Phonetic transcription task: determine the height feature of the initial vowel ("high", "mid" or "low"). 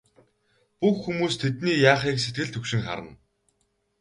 high